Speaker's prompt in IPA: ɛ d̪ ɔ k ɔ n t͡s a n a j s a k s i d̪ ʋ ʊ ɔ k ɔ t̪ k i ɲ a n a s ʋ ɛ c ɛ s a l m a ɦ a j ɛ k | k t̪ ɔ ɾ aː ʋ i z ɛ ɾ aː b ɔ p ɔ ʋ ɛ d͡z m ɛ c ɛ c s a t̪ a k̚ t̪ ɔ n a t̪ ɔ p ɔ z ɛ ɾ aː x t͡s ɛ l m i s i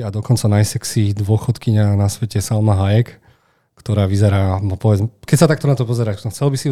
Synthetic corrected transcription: a d̪ ɔ k ɔ n t͡s a n a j s ɛ k s i d̪ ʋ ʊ ɔ x ɔ t̪ k i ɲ a n a s ʋ ɛ c ɛ s a l m a ɦ a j ɛ k | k t̪ ɔ ɾ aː ʋ i z ɛ ɾ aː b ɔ p ɔ ʋ ɛ d͡z m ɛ k ɛ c s a t̪ a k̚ t̪ ɔ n a t̪ ɔ p ɔ z ɛ ɾ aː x t͡s ɛ l b i s i